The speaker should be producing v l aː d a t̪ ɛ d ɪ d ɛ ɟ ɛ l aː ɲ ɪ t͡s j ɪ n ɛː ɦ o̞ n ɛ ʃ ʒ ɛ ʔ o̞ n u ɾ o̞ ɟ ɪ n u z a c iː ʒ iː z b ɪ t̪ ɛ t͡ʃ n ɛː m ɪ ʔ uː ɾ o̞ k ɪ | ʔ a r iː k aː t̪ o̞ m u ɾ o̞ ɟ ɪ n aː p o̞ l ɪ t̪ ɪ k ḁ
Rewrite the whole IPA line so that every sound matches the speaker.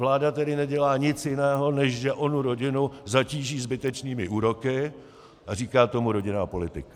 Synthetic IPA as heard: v l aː d a t̪ ɛ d ɪ n ɛ ɟ ɛ l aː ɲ ɪ t͡s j ɪ n ɛː ɦ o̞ n ɛ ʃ ʒ ɛ ʔ o̞ n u ɾ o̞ ɟ ɪ n u z a c iː ʒ iː z b ɪ t̪ ɛ t͡ʃ n iː m ɪ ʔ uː ɾ o̞ k ɪ | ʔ a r iː k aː t̪ o̞ m u ɾ o̞ ɟ ɪ n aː p o̞ l ɪ t̪ ɪ k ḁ